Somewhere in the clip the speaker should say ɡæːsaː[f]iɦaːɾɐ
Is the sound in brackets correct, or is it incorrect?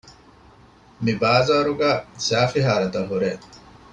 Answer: correct